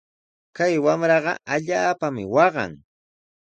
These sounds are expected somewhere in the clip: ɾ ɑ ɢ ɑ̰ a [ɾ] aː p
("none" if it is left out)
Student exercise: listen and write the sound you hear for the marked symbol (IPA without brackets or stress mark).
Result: ʎ